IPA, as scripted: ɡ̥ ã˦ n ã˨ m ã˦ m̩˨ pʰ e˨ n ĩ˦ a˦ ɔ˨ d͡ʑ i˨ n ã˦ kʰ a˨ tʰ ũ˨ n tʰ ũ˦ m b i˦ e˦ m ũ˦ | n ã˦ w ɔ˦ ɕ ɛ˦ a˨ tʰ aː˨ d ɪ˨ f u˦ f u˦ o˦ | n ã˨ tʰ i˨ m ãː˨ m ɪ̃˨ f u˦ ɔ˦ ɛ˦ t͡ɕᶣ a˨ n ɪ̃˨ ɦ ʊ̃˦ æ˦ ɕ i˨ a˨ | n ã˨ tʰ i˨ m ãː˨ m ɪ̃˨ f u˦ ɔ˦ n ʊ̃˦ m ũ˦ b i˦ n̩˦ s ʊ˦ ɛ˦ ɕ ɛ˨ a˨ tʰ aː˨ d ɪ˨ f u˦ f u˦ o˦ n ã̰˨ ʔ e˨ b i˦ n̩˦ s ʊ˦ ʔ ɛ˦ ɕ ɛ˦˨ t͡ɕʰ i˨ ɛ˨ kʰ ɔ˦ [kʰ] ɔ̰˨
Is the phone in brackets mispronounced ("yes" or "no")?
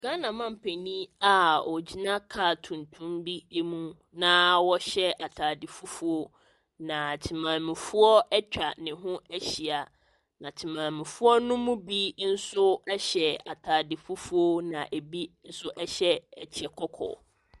no